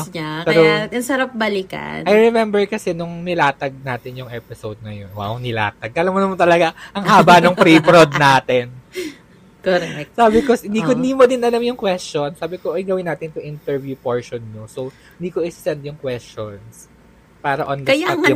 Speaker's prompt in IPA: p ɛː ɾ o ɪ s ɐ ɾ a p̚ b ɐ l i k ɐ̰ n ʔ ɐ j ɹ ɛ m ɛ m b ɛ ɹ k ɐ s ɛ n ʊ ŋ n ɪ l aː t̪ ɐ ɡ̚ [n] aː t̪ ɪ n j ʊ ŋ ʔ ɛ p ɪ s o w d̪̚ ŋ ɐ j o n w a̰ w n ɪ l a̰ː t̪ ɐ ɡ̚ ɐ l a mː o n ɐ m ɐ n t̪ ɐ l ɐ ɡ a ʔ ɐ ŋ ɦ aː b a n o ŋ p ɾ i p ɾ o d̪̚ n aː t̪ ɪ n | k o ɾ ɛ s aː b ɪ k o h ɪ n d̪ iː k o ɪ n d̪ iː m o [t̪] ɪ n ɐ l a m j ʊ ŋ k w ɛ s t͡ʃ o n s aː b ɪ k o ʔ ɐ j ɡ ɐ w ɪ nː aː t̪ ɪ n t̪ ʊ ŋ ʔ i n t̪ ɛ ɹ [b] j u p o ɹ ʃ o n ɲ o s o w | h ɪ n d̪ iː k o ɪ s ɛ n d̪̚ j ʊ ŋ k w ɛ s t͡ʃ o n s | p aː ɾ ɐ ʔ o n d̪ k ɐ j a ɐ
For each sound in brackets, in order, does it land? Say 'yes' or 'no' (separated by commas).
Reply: yes, no, no